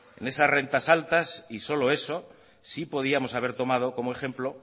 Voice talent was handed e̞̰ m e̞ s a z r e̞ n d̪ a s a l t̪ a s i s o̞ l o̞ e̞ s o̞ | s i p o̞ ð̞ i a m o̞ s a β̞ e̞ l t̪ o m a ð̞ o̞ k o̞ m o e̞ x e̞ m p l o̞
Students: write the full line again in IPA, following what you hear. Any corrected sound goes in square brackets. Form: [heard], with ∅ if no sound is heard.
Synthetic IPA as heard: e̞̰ [n] e̞ s a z r e̞ n [t̪] a s a l t̪ a s i s o̞ l o̞ e̞ s o̞ | s i p o̞ ð̞ i a m o̞ s a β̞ e̞ [ɾ] t̪ o m a ð̞ o̞ k o̞ m o e̞ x e̞ m p l o̞